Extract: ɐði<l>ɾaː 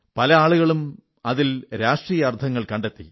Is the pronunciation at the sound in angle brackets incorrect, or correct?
correct